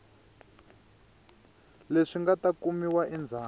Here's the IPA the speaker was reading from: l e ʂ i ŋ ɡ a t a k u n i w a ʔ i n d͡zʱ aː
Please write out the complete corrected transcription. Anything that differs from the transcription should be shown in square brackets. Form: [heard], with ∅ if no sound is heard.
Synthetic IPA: l e ʂ i ŋ ɡ a t a k u [m] i w a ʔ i n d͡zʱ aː